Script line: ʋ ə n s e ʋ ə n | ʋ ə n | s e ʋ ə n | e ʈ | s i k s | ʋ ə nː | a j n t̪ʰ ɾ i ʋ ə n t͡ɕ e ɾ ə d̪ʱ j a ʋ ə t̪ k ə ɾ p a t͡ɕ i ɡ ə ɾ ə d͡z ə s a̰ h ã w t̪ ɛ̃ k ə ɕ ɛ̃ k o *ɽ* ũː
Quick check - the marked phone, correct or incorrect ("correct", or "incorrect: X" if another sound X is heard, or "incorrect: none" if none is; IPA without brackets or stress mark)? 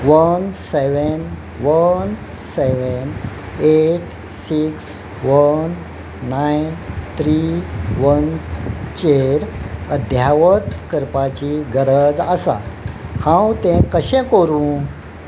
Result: incorrect: ɾ